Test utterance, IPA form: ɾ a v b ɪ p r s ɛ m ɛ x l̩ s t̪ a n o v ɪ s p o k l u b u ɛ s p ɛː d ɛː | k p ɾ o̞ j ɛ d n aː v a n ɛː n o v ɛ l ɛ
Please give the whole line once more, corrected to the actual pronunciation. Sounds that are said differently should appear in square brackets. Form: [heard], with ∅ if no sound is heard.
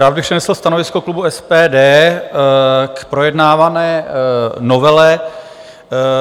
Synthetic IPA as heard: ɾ a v b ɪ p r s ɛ [n] ɛ [s] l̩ s t̪ a n o v ɪ s [k] o k l u b u ɛ s p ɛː d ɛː | k p ɾ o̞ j ɛ d n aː v a n ɛː n o v ɛ l ɛ